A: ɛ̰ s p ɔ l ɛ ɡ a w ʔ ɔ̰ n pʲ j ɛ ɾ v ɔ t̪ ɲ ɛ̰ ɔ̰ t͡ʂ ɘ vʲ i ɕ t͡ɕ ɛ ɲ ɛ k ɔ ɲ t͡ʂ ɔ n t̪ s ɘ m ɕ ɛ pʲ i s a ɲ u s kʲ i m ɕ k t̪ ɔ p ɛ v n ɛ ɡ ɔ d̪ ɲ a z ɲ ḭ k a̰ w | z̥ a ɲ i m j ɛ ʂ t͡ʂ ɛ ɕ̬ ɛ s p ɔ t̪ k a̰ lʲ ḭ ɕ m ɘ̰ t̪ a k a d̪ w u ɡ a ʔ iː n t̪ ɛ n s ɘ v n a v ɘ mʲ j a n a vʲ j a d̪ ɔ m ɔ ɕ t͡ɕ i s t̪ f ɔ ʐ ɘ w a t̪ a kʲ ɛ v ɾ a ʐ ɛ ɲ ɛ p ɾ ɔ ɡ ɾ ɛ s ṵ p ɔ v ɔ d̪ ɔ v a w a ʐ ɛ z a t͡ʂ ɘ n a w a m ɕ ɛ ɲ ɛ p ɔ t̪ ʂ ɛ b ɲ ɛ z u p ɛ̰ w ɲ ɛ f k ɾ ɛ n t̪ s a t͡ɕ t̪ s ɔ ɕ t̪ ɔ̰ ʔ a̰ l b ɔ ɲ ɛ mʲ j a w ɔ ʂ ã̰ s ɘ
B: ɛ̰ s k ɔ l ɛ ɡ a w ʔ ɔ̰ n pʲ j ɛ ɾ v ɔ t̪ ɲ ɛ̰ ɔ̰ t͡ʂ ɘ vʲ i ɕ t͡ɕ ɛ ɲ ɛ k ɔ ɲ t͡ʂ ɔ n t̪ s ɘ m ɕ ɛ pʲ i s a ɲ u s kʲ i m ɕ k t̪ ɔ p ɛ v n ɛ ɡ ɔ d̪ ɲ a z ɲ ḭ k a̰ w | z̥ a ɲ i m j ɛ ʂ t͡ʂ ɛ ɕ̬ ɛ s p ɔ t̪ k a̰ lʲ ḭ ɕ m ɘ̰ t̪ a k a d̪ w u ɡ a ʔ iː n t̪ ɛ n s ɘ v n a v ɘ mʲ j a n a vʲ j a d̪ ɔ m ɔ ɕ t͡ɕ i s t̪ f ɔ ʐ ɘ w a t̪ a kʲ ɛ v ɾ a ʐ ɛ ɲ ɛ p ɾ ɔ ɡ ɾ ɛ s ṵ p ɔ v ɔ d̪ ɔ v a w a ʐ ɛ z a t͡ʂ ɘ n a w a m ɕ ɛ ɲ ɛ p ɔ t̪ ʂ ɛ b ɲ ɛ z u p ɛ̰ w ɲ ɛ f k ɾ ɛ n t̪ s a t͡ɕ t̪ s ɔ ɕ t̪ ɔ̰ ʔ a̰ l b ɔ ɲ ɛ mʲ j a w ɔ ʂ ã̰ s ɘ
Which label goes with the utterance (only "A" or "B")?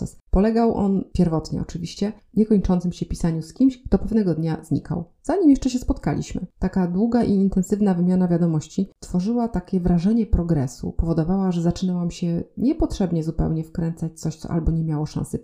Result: A